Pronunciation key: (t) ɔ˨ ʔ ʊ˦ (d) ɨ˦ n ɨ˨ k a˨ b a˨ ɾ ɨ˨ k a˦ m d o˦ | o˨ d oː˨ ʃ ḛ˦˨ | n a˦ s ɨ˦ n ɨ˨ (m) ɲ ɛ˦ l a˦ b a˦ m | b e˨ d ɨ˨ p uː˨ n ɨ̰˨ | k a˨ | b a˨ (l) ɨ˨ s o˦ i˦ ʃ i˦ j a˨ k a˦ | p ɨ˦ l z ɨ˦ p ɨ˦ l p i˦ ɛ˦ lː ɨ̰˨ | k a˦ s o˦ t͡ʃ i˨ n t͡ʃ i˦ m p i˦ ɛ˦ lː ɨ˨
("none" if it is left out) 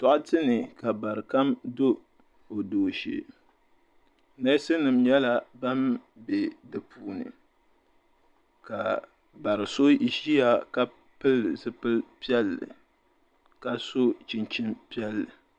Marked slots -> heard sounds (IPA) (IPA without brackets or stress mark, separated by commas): t, t, m, ɾ